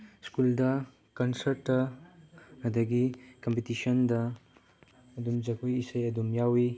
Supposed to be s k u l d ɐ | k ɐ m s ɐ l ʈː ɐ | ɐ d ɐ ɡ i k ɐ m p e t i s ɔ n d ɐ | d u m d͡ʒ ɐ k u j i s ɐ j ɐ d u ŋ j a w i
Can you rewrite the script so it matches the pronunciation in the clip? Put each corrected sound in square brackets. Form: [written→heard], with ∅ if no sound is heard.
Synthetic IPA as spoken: s k u l d ɐ | k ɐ [m→n] s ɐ [l→ɾ] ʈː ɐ | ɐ d ɐ ɡ i k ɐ m p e t i s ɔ n d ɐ | d u m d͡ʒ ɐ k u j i s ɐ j ɐ d u [ŋ→m] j a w i

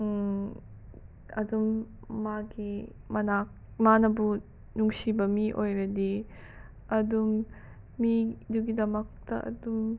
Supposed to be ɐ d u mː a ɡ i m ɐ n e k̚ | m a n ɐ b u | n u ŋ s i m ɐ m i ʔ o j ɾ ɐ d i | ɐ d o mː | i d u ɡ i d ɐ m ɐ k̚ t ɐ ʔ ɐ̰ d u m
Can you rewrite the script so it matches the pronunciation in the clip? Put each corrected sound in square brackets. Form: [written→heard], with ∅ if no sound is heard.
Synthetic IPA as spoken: ɐ d u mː a ɡ i m ɐ n [e→a] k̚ | m a n ɐ b u | n u ŋ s i [m→b] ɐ m i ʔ o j ɾ ɐ d i | ɐ d [o→u] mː | i d u ɡ i d ɐ m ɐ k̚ t ɐ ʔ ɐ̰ d u m

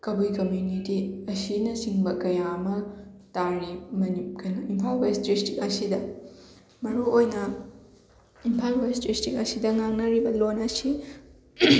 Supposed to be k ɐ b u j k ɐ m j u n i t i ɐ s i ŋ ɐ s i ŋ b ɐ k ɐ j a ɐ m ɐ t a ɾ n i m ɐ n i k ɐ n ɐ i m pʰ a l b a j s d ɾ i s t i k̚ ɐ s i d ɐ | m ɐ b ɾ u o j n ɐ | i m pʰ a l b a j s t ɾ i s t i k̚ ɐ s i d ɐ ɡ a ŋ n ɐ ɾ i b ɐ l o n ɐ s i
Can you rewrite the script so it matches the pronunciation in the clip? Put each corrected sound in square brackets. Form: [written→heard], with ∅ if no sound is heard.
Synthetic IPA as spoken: k ɐ b u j k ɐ m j u n i t i ɐ s i [ŋ→n] ɐ s i ŋ b ɐ k ɐ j a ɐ m ɐ t a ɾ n i m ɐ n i k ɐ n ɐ i m pʰ a l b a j s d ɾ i s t i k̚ ɐ s i d ɐ | m ɐ [b→∅] ɾ u o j n ɐ | i m pʰ a l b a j s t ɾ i s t i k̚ ɐ s i d ɐ [ɡ→ŋ] a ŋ n ɐ ɾ i b ɐ l o n ɐ s i

